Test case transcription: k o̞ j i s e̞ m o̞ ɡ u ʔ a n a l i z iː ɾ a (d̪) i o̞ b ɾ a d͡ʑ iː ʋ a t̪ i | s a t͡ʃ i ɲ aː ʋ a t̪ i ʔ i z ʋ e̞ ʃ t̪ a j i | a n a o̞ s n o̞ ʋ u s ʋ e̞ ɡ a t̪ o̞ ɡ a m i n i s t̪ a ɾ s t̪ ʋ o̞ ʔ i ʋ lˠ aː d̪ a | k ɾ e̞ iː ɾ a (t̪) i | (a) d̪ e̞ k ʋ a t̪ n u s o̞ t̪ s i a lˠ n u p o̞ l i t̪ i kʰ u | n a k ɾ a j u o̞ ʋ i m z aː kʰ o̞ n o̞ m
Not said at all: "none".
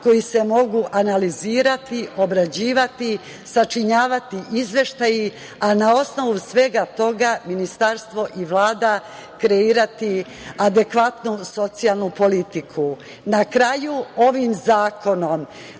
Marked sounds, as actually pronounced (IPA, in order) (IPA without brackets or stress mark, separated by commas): t̪, t̪, a